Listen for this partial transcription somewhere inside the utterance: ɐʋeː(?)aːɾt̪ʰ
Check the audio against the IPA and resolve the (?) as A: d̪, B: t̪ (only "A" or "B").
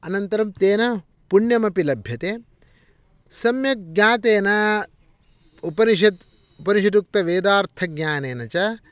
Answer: A